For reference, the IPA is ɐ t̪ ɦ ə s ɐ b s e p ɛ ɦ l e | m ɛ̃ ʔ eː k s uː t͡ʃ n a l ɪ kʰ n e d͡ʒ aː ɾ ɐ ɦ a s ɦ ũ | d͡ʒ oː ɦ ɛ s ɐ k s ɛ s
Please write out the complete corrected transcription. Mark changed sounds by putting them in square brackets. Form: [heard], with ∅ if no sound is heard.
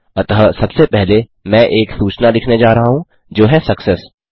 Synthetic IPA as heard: ɐ t̪ ɦ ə s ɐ b s e p ɛ ɦ l e | m ɛ̃ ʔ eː k s uː t͡ʃ n a l ɪ kʰ n e d͡ʒ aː ɾ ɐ ɦ a [∅] ɦ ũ | d͡ʒ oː ɦ ɛ s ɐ k s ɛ s